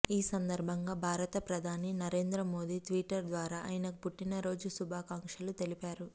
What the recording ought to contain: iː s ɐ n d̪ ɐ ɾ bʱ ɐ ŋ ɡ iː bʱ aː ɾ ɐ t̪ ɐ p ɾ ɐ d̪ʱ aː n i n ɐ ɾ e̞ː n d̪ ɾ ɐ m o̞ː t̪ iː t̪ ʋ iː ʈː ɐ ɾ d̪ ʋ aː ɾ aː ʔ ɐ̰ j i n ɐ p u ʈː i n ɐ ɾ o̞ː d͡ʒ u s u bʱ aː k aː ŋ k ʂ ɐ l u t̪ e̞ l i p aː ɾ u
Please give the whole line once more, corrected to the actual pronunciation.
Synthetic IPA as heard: iː s ɐ n d̪ ɐ ɾ bʱ ɐ ŋ ɡ aː bʱ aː ɾ ɐ t̪ ɐ p ɾ ɐ d̪ʱ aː n i n ɐ ɾ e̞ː n d̪ ɾ ɐ m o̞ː d̪ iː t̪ ʋ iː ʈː ɐ ɾ d̪ ʋ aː ɾ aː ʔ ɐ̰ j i n ɐ p u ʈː i n ɐ ɾ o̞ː d͡ʒ u s u bʱ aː k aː ŋ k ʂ ɐ l u t̪ e̞ l i p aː ɾ u